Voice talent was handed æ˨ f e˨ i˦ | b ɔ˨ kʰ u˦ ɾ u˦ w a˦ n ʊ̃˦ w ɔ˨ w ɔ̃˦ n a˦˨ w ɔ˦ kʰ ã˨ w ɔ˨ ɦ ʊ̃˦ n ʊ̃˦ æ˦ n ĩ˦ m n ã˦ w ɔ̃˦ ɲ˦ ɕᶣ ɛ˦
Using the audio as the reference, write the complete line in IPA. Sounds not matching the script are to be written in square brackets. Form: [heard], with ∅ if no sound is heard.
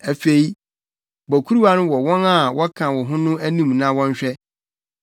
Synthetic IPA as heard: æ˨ f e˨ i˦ | b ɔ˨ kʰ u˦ ɾ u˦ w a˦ n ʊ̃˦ w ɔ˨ w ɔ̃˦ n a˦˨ w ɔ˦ kʰ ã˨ w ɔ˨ ɦ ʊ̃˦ n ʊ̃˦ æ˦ n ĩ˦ m n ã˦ w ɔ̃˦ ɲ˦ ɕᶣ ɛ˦

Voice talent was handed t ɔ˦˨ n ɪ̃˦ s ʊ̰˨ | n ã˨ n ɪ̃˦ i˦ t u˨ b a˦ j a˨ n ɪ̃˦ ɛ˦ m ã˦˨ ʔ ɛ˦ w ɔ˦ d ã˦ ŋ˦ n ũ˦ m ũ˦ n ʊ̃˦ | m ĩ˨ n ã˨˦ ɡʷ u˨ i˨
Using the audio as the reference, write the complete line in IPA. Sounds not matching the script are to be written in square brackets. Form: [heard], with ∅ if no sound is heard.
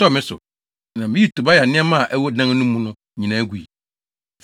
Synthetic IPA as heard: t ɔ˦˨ [m] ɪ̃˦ s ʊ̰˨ | n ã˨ [m] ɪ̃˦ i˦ t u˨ b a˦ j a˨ n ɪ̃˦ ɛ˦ m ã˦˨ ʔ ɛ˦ w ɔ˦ d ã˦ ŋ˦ n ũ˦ m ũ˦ n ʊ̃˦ | [ɲ] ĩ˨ n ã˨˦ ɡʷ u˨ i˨

